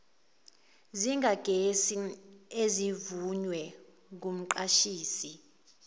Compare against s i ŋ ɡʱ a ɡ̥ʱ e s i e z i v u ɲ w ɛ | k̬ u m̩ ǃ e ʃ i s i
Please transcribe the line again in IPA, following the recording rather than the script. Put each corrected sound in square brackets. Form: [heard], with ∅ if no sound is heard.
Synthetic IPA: [z] i ŋ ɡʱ a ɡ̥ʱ e s i e z i v u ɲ w ɛ | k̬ u m̩ ǃ [a] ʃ [iː] s i